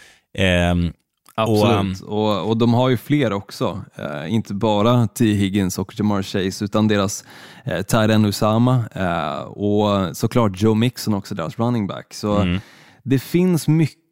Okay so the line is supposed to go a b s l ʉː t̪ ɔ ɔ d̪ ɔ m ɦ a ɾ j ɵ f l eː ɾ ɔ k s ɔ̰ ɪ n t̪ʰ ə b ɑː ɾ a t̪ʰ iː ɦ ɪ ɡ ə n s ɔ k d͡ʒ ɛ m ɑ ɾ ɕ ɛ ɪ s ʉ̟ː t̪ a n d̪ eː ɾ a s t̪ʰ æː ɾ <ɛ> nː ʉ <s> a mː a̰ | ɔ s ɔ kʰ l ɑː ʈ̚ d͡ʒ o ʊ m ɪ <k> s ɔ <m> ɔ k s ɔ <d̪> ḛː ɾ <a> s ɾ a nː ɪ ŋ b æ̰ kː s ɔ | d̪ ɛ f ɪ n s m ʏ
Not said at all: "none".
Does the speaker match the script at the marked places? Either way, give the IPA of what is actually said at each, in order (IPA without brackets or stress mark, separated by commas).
ɛ, s, k, n, d̪, a